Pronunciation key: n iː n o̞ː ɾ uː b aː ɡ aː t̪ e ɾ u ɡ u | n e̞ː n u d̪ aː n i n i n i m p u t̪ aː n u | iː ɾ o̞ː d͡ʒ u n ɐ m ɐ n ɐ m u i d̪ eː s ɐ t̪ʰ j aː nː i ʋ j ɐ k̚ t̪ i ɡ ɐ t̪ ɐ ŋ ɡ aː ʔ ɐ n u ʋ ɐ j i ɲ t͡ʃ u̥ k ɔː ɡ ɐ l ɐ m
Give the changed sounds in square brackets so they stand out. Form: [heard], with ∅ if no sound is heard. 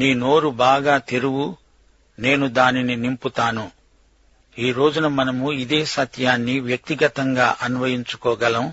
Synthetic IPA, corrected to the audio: n iː n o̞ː ɾ [u] b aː ɡ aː t̪ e ɾ u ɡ u | n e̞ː n u d̪ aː n i n i n i m p u t̪ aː n u | iː ɾ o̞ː d͡ʒ u n ɐ m ɐ n ɐ m u i d̪ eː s ɐ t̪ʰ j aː nː i ʋ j ɐ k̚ t̪ i ɡ ɐ t̪ ɐ ŋ ɡ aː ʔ ɐ n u ʋ ɐ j i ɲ t͡ʃ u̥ k ɔː ɡ ɐ l ɐ m